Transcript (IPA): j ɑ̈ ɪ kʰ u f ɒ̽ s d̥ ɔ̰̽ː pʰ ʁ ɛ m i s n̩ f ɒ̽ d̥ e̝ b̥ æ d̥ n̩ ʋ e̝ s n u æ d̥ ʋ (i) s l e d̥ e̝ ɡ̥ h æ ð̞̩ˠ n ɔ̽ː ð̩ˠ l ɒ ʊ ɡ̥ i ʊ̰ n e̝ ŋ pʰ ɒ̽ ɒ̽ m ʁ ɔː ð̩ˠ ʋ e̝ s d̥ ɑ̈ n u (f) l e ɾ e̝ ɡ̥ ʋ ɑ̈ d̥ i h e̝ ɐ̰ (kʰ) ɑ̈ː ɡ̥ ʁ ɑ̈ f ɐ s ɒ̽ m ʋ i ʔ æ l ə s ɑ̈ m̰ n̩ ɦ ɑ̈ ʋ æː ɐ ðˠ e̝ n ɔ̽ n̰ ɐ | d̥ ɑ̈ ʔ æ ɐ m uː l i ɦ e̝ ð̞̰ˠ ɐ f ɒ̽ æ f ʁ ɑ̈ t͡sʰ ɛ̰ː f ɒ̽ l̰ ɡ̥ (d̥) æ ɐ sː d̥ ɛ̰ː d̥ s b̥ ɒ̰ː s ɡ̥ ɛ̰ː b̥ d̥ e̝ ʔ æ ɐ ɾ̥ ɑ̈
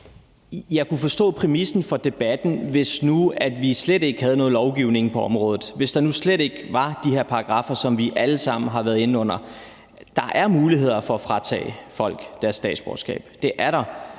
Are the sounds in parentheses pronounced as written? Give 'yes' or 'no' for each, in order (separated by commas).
yes, no, no, yes